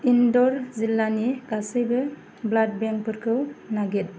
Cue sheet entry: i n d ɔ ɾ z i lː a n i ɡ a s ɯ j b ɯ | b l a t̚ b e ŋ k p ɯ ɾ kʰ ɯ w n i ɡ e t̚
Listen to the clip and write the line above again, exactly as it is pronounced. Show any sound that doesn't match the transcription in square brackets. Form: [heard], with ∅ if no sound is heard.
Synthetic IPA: i n d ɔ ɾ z i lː a n i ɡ a s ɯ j b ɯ | b l a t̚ b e ŋ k p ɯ ɾ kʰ ɯ w n [a] ɡ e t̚